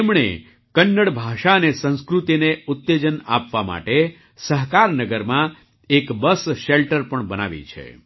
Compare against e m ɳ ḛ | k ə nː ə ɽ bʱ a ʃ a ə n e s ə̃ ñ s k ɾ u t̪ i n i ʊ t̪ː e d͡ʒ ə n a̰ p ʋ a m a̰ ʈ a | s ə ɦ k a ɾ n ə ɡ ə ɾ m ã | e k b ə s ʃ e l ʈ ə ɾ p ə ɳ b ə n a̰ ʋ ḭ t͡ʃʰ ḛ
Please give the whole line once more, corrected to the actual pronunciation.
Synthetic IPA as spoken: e m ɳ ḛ | k ə nː ə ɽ bʱ a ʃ a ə n e s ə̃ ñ s k ɾ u t̪ i n e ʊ t̪ː e d͡ʒ ə n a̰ p ʋ a m a̰ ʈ e | s ə ɦ k a ɾ n ə ɡ ə ɾ m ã | e k b ə s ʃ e l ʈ ə ɾ p ə ɳ b ə n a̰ ʋ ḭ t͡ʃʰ ḛ